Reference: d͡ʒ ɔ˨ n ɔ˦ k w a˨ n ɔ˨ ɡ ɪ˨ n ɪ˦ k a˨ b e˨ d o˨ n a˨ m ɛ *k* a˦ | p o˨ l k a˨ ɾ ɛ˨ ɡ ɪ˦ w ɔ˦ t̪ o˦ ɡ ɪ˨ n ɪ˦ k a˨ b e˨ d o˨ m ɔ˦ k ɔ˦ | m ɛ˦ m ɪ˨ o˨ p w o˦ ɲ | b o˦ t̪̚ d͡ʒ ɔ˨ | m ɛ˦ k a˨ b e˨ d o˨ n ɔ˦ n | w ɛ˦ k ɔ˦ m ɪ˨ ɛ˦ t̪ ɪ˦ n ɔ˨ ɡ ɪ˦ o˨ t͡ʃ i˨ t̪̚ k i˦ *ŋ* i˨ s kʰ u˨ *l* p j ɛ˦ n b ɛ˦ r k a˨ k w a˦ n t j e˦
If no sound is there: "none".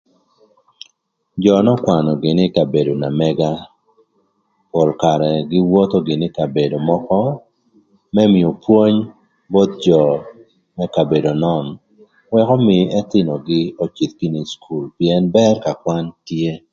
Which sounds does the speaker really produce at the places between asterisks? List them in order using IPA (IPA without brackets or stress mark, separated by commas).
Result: ɡ, n, l